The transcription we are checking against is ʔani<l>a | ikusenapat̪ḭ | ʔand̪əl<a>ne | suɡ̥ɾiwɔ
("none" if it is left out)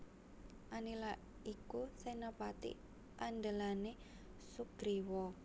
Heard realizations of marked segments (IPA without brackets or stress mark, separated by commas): l, a